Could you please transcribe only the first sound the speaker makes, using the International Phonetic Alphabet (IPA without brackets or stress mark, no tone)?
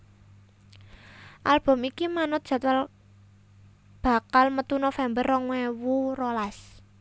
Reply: ʔ